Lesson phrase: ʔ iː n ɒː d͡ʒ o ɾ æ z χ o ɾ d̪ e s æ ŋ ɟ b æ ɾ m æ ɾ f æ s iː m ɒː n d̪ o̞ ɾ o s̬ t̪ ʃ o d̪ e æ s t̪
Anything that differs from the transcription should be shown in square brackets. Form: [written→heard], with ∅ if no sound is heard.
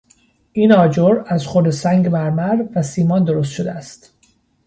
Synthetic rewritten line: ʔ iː n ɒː d͡ʒ o ɾ æ z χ o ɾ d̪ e s æ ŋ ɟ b æ ɾ m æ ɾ [f→v] æ s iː m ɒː n d̪ o̞ ɾ o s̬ t̪ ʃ o d̪ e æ s t̪